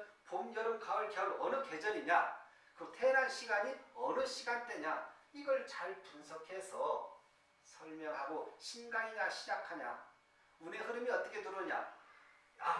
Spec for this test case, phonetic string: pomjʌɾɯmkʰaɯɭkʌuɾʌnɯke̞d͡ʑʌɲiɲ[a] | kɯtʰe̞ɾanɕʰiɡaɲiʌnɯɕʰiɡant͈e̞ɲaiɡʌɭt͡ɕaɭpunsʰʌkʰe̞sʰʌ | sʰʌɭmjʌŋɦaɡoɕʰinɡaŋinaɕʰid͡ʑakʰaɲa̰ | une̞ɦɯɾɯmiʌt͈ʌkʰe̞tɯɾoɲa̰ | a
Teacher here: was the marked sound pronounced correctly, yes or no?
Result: yes